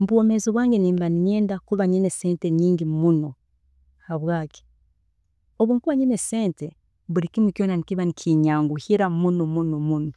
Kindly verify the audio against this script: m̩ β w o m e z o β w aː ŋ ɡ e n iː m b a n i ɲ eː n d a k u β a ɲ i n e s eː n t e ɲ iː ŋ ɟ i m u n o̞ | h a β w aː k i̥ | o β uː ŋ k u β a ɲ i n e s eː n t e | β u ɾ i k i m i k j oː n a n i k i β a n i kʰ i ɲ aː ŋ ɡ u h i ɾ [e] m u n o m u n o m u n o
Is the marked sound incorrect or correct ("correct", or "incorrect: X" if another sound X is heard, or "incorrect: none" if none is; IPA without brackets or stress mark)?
incorrect: a